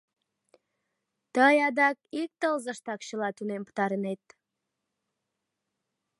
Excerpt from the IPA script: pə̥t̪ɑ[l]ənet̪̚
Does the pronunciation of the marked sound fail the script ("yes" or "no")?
yes